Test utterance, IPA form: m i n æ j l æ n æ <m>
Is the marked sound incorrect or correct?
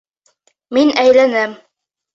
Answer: correct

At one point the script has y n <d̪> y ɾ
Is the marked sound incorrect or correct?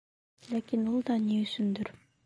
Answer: correct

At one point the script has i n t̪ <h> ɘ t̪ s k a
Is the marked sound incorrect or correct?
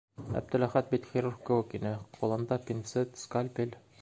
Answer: incorrect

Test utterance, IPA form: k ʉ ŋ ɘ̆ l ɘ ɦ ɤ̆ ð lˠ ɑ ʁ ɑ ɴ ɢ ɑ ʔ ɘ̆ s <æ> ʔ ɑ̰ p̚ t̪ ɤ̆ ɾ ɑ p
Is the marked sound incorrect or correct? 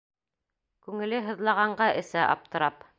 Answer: correct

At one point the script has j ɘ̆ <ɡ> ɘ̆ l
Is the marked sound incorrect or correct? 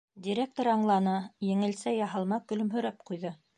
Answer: incorrect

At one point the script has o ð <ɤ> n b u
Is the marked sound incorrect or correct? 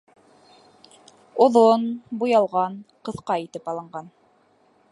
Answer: incorrect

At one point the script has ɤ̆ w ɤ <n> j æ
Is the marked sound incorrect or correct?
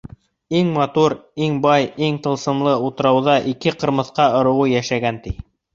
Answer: incorrect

